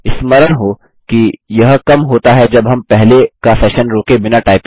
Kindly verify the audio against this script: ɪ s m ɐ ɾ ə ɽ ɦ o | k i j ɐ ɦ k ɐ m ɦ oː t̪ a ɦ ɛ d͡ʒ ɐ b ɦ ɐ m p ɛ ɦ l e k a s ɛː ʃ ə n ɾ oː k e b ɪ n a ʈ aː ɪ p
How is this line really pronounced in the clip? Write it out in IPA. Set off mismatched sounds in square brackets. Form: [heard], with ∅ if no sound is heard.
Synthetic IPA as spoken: ɪ s m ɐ ɾ ə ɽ ɦ o | k i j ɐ ɦ k ɐ m ɦ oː t̪ a ɦ ɛ d͡ʒ ɐ b ɦ ɐ m p ɛ ɦ l e k a s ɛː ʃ ə n ɾ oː k e b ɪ n a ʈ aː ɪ p